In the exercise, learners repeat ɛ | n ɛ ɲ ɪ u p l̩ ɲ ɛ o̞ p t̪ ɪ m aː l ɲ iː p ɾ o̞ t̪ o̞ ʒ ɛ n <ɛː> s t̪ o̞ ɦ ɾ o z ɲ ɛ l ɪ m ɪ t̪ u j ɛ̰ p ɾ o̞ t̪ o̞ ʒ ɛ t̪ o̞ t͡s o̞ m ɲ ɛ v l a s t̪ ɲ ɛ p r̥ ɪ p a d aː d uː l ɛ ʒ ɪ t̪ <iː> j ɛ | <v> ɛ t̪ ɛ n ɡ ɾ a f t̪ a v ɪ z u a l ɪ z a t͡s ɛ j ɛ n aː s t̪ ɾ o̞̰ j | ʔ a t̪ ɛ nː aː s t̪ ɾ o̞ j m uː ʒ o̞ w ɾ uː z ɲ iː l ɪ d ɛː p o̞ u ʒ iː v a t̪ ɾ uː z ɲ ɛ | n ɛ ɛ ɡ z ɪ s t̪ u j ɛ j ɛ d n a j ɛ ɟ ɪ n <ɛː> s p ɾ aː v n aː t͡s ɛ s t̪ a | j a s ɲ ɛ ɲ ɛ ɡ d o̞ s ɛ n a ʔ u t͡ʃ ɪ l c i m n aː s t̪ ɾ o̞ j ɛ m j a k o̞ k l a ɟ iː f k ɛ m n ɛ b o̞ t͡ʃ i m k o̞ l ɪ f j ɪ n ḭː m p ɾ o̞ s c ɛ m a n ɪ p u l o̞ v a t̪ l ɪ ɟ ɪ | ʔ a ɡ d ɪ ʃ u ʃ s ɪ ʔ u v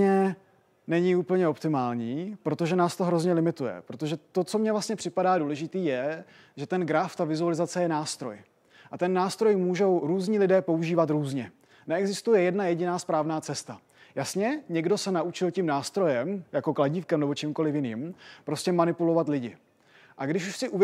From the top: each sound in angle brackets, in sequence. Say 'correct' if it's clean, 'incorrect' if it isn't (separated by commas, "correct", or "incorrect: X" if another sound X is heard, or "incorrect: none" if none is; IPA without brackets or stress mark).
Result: incorrect: aː, correct, incorrect: ʒ, incorrect: aː